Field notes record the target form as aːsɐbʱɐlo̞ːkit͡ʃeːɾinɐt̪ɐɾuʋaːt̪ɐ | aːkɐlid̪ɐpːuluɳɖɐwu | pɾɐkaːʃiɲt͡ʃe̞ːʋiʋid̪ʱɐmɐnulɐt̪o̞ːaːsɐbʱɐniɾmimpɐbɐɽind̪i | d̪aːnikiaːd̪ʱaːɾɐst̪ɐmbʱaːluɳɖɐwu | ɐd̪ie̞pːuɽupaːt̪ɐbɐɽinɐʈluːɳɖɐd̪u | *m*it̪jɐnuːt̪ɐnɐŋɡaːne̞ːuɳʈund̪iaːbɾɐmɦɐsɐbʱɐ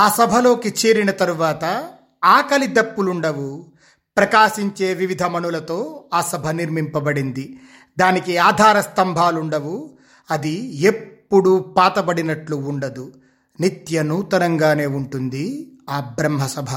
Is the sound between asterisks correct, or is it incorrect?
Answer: incorrect